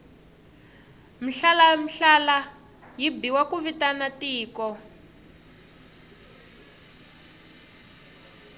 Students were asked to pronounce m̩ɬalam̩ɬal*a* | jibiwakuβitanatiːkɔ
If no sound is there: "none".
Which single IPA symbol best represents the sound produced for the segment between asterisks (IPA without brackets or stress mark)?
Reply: a